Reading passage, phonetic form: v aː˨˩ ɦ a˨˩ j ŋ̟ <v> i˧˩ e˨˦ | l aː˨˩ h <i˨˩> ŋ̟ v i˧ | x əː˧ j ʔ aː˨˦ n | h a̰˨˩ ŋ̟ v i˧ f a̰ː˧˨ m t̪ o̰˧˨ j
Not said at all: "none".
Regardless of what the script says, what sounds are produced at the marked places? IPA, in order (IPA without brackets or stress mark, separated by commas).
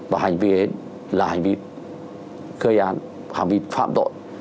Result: v, a˨˩